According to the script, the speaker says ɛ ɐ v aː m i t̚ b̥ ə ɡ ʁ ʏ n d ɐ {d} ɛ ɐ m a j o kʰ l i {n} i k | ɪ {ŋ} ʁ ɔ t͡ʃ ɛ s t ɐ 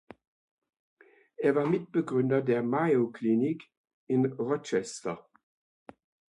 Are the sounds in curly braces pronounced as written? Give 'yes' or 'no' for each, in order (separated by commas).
yes, yes, no